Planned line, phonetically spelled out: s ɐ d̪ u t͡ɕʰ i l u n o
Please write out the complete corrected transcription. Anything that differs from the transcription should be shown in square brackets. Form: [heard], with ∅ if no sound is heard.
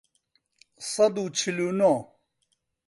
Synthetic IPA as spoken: s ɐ d̪ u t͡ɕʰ i l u n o